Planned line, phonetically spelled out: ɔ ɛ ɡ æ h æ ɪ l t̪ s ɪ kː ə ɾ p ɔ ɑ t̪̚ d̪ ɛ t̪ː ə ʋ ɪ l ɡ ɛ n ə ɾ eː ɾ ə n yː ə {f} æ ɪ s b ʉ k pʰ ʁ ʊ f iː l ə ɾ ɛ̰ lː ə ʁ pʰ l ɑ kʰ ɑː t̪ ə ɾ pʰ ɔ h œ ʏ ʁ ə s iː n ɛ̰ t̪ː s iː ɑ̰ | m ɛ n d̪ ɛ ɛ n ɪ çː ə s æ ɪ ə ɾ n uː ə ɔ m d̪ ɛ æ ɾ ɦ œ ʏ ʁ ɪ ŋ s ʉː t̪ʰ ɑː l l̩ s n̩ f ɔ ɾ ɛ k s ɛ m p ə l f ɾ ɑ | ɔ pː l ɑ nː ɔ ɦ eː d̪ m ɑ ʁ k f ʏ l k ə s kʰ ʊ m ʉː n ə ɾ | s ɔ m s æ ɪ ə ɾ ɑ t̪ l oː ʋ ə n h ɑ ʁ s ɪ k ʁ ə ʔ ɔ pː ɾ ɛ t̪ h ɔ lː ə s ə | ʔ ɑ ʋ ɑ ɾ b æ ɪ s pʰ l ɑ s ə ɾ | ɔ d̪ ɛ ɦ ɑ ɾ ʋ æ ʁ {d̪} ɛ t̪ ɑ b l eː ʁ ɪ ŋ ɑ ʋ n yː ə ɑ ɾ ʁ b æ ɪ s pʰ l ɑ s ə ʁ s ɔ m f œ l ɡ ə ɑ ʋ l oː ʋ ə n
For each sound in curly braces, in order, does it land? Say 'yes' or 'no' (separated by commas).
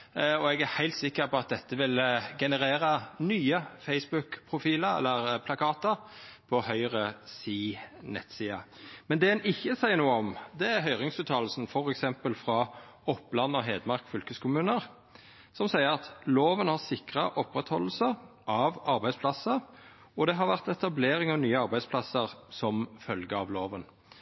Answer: yes, no